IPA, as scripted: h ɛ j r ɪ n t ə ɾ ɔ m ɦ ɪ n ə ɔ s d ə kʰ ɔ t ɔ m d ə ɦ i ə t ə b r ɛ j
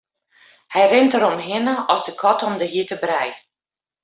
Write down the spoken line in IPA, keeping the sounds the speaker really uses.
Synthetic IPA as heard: h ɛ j r ɪ n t ə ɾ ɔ m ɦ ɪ n ə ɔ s d ə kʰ ɔ t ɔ m d ə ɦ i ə t ə b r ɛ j